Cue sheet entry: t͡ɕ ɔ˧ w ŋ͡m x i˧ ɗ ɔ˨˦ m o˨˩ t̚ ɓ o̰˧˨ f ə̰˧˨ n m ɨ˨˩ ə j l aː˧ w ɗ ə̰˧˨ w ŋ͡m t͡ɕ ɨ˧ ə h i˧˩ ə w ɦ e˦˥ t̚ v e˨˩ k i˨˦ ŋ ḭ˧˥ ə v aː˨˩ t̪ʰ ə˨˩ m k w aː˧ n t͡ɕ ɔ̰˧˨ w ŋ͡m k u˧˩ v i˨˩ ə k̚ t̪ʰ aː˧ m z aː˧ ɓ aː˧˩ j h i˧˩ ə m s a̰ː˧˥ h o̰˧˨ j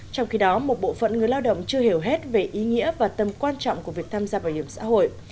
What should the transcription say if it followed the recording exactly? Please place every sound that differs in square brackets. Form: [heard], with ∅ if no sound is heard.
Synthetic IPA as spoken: t͡ɕ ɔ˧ w ŋ͡m x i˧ ɗ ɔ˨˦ m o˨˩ t̚ ɓ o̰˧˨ f ə̰˧˨ n [ŋ] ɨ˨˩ ə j l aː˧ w ɗ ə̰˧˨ w ŋ͡m t͡ɕ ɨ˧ ə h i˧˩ ə w ɦ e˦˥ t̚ v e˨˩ [ʔ] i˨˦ ŋ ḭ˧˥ ə v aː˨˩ [t̪] ə˨˩ m k w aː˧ n t͡ɕ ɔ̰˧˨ w ŋ͡m k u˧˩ v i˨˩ ə k̚ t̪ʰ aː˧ m z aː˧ ɓ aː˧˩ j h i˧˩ ə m s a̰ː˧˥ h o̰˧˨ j